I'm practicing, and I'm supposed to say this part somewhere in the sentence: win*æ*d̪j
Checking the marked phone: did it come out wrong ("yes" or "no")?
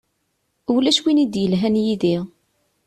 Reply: yes